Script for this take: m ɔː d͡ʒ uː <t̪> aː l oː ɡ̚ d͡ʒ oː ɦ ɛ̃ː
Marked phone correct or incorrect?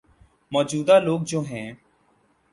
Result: incorrect